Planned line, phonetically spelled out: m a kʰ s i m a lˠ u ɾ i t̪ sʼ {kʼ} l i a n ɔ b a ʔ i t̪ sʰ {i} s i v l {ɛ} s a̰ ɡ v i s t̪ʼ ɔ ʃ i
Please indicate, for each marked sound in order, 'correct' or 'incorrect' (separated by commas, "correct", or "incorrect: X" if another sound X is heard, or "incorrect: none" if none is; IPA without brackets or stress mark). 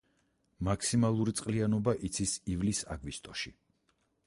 incorrect: qʼ, correct, incorrect: i